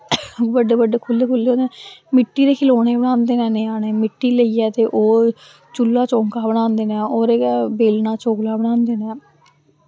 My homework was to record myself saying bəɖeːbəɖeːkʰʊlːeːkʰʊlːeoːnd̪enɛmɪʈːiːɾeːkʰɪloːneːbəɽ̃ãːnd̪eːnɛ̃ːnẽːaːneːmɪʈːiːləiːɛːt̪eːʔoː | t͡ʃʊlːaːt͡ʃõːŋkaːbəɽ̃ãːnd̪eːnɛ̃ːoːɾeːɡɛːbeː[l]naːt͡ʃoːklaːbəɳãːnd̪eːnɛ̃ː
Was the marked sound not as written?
no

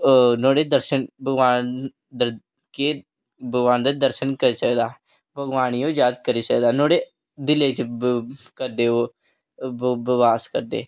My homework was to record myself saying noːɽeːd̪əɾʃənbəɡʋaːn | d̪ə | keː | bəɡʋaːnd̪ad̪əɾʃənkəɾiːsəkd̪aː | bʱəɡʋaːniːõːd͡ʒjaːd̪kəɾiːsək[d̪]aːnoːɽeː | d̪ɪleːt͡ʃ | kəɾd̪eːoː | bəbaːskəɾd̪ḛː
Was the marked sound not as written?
no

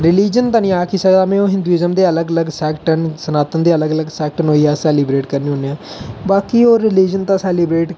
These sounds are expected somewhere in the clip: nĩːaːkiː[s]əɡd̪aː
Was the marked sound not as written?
no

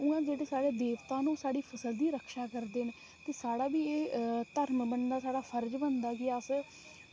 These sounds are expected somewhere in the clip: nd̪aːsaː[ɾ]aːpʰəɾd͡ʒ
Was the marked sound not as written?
yes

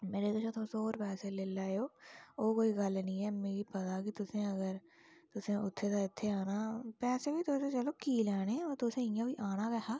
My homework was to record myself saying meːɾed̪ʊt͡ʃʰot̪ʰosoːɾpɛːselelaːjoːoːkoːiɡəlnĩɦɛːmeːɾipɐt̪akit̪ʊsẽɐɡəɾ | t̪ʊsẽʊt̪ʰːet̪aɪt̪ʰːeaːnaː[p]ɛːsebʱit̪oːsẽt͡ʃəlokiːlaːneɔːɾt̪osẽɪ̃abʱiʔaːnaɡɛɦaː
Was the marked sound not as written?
no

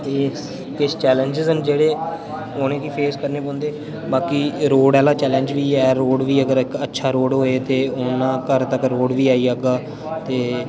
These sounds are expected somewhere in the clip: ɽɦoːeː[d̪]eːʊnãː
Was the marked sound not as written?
yes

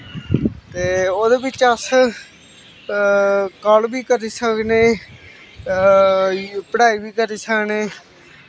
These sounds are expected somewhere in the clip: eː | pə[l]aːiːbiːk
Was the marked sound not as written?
yes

